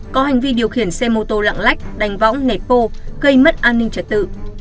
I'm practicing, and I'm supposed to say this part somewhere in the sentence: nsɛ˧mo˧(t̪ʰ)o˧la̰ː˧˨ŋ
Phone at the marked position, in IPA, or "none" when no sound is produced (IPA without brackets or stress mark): t̪